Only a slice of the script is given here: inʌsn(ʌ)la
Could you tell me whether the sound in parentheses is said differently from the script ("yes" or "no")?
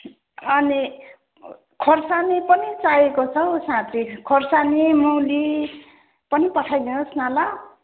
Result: yes